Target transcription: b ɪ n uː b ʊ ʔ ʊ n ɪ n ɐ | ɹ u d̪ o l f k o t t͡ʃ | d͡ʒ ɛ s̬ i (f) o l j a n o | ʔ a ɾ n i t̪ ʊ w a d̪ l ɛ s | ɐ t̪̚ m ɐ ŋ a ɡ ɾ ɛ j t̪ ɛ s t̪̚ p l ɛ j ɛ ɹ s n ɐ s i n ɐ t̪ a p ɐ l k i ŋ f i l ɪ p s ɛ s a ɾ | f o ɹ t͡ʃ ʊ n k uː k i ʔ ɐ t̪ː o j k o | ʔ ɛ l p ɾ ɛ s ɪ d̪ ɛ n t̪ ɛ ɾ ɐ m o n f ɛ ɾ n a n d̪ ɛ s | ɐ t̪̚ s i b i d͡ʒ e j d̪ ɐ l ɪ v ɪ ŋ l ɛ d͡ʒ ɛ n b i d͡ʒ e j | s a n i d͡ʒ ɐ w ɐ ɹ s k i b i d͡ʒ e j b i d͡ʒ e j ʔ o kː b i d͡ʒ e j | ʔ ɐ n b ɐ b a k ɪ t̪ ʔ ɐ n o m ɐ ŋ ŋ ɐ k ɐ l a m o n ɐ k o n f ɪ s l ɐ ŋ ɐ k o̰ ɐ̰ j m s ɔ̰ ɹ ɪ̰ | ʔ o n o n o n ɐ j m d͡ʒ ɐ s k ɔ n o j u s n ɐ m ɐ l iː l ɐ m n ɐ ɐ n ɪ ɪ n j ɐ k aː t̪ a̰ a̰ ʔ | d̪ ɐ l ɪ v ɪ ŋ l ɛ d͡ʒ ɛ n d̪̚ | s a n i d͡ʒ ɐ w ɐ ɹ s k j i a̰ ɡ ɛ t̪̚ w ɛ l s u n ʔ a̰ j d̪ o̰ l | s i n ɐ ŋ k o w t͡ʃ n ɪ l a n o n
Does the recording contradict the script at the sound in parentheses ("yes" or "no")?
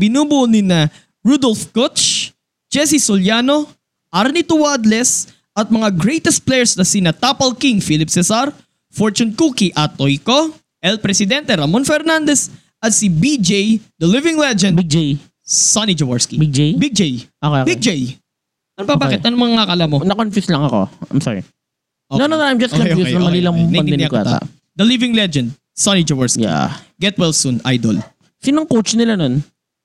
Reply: yes